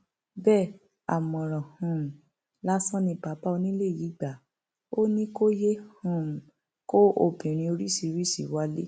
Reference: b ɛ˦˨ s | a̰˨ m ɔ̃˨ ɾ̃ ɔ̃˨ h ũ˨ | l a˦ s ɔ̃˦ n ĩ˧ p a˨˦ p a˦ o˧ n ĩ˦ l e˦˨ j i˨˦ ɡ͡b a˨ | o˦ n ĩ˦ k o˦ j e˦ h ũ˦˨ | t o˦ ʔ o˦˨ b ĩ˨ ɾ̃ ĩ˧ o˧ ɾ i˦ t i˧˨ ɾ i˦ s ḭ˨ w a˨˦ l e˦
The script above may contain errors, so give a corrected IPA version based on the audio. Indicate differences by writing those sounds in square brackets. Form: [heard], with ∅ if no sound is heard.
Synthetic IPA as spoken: b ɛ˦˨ [∅] | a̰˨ m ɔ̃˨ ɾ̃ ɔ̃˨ h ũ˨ | l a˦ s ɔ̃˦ n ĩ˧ p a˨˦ p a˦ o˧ n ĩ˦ l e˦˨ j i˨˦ ɡ͡b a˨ | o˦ n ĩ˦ k o˦ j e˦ h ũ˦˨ | [k] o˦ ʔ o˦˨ b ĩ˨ ɾ̃ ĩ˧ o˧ ɾ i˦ [s] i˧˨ ɾ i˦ s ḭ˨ w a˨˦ l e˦